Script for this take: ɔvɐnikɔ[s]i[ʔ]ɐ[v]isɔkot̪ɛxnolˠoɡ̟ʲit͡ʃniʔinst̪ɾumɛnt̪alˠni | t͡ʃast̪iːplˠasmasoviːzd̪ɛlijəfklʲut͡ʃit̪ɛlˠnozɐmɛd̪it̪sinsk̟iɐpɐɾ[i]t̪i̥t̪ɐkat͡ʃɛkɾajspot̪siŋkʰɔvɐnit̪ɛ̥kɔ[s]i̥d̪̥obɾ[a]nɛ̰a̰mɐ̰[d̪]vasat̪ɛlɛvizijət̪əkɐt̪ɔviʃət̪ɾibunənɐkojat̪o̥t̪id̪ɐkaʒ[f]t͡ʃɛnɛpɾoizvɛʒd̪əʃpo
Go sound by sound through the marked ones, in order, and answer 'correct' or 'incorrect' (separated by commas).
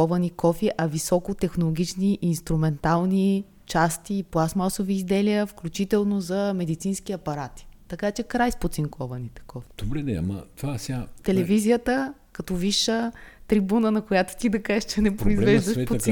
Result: incorrect, correct, correct, incorrect, incorrect, incorrect, incorrect, incorrect